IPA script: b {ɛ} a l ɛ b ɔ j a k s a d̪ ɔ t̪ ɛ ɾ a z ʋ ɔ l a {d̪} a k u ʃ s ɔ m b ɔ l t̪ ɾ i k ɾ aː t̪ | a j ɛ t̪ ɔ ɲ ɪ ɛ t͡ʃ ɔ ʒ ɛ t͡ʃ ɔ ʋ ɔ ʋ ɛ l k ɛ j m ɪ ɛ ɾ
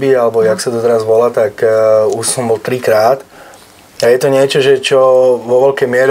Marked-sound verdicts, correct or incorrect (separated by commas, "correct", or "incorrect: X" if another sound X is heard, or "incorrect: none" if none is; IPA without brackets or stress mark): incorrect: i, incorrect: t̪